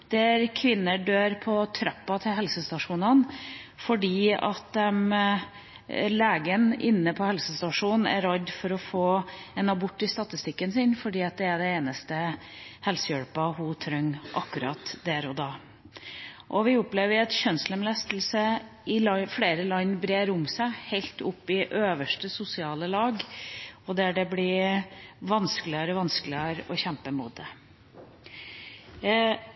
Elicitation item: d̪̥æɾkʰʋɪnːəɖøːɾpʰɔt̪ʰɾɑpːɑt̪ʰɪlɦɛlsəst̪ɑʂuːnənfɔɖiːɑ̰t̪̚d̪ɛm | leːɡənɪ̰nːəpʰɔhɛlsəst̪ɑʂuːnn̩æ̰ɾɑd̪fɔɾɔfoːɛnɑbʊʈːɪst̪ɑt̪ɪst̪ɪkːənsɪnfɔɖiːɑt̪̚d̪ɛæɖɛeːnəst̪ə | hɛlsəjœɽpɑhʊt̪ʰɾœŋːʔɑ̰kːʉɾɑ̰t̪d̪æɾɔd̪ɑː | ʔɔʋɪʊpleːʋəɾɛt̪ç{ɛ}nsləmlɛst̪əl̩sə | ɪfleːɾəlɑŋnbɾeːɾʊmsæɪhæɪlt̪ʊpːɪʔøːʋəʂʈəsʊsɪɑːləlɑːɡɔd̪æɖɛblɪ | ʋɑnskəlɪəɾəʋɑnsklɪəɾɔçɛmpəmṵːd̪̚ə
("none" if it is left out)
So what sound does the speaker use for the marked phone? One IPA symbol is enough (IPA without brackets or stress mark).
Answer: œ